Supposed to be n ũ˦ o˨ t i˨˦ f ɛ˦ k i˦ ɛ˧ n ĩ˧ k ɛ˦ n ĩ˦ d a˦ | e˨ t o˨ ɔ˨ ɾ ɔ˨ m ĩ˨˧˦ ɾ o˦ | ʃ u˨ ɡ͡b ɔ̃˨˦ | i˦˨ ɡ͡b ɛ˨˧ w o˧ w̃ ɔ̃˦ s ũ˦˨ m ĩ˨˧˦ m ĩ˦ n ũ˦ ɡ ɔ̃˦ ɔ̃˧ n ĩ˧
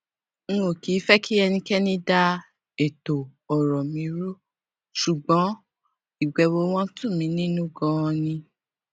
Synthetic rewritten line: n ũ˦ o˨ k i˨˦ f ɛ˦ k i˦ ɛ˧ n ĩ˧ k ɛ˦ n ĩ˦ d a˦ | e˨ t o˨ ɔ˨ ɾ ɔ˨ m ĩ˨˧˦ ɾ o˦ | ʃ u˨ ɡ͡b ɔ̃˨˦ | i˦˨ ɡ͡b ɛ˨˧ w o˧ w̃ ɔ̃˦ t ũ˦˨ m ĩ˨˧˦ n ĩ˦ n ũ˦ ɡ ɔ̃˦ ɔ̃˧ n ĩ˧